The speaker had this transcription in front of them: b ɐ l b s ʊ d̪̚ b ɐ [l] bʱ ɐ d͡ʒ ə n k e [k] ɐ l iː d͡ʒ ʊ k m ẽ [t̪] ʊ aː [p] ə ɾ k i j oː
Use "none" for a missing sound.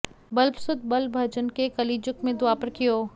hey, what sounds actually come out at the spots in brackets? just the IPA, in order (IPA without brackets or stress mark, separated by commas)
l, k, d̪, p